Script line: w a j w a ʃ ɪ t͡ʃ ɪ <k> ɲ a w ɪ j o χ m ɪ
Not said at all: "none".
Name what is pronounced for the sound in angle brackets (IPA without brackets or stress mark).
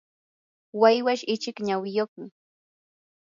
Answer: k